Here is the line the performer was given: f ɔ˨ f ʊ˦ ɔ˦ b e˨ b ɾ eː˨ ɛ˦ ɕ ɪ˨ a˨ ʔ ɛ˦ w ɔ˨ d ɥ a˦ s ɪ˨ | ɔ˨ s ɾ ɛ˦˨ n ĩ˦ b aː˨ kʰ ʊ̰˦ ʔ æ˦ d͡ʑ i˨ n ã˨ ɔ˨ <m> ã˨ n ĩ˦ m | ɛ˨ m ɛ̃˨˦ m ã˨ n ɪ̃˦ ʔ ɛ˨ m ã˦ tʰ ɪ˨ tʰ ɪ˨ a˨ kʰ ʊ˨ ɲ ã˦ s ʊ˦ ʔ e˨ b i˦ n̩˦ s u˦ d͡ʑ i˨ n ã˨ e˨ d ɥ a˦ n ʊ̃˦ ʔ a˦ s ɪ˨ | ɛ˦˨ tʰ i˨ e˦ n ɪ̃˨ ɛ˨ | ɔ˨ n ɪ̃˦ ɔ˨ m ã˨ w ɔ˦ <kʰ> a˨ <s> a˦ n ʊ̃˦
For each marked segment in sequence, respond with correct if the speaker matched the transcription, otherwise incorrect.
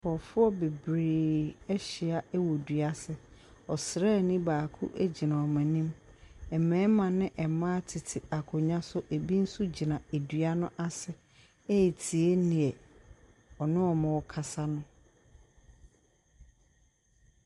correct, correct, correct

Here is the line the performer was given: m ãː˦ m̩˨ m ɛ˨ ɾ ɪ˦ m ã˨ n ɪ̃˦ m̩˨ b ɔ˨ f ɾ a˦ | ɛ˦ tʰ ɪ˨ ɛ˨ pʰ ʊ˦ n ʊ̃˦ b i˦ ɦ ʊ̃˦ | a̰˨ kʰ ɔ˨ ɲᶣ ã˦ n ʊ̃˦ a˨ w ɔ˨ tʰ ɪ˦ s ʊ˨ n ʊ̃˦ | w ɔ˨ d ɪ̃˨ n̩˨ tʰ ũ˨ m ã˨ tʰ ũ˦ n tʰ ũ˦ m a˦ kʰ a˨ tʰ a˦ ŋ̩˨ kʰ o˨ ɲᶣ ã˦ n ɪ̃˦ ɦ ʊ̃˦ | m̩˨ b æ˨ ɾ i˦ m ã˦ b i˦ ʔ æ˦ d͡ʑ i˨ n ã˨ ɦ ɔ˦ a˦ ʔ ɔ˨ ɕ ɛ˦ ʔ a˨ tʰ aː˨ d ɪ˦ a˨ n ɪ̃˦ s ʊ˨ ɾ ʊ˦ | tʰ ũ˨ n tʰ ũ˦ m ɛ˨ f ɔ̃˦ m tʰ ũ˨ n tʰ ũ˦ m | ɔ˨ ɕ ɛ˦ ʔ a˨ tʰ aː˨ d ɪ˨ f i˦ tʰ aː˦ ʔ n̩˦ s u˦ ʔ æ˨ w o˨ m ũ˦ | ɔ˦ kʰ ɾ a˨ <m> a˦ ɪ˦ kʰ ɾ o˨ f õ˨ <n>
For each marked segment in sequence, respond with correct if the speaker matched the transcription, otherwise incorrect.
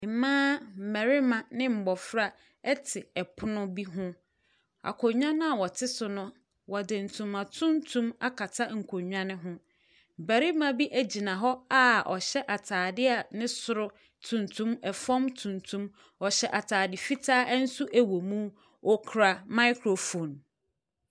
correct, correct

